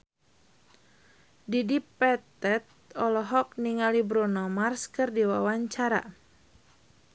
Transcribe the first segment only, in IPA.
d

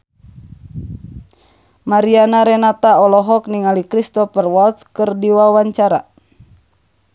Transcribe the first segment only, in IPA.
m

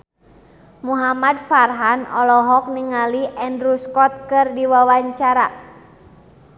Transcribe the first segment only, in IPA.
m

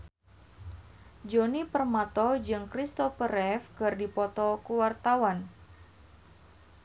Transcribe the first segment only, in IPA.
d͡ʒ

